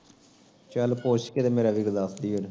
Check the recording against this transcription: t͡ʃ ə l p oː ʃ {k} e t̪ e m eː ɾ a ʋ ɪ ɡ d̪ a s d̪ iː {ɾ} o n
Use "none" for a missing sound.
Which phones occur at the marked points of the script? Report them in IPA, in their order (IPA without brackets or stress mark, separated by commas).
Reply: k, none